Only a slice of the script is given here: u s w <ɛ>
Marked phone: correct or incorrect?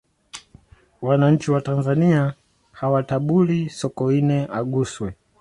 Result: correct